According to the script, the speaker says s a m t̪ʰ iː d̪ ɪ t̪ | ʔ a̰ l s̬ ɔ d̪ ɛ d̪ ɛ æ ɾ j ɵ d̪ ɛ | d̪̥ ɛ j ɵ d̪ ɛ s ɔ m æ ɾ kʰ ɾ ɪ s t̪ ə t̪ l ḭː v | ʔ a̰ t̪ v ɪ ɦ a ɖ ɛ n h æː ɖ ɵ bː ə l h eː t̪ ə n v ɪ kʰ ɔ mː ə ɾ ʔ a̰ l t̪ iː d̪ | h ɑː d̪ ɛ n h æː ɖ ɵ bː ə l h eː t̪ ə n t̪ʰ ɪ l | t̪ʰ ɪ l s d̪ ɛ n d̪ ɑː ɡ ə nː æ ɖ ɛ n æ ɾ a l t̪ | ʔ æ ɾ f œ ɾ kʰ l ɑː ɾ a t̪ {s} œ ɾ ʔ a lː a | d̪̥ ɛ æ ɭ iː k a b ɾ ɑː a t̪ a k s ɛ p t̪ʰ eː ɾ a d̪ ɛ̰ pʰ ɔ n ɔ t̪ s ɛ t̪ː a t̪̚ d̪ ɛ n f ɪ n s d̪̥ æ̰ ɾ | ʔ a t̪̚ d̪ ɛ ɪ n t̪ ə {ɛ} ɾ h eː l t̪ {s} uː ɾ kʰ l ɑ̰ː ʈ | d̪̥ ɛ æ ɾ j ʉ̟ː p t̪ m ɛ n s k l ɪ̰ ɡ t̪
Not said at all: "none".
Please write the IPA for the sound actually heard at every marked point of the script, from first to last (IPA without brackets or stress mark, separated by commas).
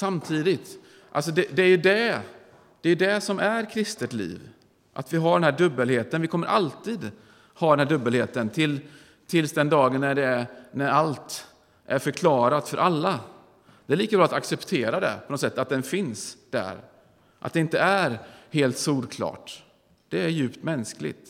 f, æ, s